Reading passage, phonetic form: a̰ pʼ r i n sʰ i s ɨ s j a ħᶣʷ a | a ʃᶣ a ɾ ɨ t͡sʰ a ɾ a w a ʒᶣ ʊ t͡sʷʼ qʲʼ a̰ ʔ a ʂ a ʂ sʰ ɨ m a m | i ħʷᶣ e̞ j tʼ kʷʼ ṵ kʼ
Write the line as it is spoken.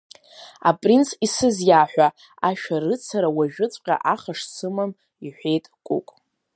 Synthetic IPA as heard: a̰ pʼ r i n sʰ i s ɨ z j a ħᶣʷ a | a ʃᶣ a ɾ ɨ t͡sʰ a ɾ a w a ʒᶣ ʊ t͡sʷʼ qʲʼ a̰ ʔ a χ a ʂ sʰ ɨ m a m | i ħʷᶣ e̞ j tʼ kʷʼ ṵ kʼ